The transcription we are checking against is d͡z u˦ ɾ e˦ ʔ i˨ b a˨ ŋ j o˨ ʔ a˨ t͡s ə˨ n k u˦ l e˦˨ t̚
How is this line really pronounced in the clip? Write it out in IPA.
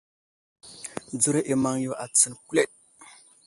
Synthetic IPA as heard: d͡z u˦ ɾ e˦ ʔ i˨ m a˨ ŋ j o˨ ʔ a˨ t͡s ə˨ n k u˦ l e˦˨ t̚